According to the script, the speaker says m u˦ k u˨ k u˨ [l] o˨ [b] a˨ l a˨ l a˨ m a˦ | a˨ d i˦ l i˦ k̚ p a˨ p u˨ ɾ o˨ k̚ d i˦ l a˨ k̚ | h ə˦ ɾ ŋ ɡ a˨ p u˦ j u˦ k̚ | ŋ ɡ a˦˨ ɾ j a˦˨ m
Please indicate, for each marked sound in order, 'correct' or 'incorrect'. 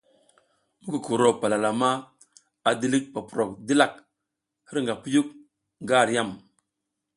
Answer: incorrect: ɾ, incorrect: p

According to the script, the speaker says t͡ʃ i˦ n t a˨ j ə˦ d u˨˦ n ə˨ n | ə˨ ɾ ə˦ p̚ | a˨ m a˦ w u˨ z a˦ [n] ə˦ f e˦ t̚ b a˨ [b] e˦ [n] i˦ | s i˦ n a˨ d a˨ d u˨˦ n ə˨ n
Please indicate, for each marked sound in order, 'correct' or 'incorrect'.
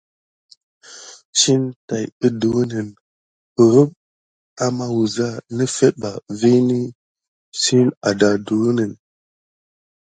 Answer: correct, incorrect: v, correct

